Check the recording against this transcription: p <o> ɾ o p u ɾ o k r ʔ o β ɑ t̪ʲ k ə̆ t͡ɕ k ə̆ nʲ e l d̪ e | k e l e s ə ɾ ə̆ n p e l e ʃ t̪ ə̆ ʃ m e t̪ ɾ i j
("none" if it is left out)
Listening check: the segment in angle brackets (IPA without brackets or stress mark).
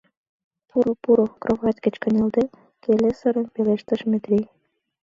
u